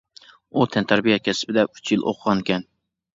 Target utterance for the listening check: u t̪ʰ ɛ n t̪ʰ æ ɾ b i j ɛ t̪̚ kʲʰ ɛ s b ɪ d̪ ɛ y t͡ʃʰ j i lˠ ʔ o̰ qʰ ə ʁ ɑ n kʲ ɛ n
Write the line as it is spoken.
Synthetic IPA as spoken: u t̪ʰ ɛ n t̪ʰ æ ɾ b i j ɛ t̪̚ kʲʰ ɛ s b ɪ d̪ ɛ y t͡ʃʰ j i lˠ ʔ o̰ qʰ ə ʁ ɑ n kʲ ɛ n